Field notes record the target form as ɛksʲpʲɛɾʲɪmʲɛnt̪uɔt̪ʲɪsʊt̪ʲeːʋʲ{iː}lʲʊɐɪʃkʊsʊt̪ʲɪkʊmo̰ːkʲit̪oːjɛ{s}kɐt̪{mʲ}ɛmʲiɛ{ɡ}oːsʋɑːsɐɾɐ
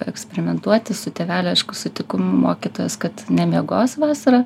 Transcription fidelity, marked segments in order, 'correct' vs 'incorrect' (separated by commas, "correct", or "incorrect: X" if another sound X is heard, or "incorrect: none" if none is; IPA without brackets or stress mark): incorrect: æː, correct, incorrect: nʲ, correct